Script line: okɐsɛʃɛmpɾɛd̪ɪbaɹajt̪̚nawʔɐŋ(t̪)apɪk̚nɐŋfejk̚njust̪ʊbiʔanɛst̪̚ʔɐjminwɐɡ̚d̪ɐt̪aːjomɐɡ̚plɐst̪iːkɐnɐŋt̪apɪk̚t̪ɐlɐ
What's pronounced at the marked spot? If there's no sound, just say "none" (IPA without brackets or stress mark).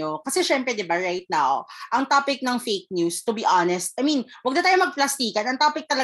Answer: t̪